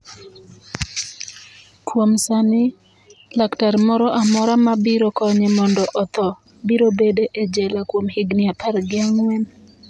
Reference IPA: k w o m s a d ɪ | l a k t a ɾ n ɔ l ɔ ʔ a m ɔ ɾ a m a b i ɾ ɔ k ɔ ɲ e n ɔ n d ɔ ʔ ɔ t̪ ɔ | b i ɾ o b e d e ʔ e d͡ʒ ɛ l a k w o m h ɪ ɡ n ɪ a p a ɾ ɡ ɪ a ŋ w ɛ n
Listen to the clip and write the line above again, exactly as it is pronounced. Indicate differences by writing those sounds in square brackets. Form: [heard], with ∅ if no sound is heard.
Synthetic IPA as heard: k w o m s a [n] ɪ | l a k t a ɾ [m] ɔ [ɾ] ɔ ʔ a m ɔ ɾ a m a b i ɾ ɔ k ɔ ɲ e [m] ɔ n d ɔ ʔ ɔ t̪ ɔ | b i ɾ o b e d e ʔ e d͡ʒ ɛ l a k w o m h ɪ ɡ n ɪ a p a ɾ ɡ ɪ a ŋ w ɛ n